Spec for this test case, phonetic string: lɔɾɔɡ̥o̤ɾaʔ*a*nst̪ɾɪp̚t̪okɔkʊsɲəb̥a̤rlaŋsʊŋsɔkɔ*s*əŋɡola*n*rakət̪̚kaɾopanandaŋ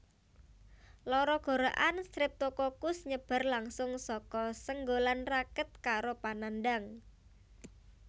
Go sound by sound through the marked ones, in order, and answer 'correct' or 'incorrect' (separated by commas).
correct, correct, correct